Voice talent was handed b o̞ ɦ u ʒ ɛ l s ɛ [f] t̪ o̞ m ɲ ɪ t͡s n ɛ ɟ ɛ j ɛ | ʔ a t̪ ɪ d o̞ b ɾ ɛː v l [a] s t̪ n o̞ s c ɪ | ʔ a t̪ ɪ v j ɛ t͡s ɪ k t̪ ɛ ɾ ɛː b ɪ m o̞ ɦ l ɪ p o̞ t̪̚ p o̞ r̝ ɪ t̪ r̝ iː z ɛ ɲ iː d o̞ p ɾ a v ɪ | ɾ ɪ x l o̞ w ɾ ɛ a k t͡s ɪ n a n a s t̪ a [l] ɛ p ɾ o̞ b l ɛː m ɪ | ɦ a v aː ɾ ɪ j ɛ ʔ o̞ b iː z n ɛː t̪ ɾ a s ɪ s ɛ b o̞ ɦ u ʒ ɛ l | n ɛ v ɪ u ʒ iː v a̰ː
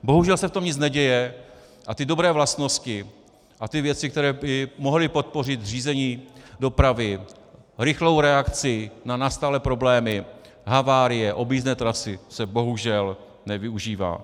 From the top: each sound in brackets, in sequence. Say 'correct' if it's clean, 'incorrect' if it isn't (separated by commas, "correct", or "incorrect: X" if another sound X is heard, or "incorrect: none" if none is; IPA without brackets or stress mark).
correct, correct, correct